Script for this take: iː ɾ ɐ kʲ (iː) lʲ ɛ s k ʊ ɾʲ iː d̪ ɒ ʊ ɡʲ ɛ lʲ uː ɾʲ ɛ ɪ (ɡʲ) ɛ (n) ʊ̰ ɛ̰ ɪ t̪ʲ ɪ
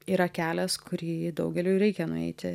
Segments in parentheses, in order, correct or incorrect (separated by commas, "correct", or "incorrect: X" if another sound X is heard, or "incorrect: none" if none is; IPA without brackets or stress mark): incorrect: æː, incorrect: kʲ, correct